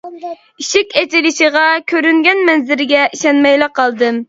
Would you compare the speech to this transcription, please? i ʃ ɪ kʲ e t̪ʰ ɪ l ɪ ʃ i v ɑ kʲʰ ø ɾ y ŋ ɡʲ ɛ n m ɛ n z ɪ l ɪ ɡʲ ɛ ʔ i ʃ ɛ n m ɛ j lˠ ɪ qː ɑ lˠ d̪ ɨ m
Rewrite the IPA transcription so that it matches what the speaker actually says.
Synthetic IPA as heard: i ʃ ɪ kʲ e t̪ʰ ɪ l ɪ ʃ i ʁ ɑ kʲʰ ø ɾ y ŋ ɡʲ ɛ n m ɛ n z ɪ ɾ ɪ ɡʲ ɛ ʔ i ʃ ɛ n m ɛ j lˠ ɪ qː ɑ lˠ d̪ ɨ m